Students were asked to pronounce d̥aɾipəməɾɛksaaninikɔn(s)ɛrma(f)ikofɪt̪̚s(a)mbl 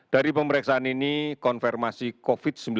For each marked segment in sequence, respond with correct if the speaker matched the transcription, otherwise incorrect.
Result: incorrect, incorrect, incorrect

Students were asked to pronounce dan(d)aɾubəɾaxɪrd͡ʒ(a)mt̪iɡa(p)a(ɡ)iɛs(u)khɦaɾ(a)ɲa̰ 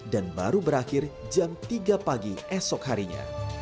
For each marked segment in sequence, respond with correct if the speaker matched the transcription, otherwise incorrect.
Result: incorrect, correct, correct, correct, incorrect, incorrect

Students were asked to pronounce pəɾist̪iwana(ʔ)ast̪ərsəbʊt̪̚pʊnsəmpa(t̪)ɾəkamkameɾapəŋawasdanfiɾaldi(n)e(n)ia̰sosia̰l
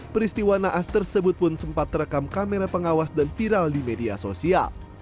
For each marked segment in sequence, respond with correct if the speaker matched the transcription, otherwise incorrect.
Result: correct, correct, incorrect, incorrect

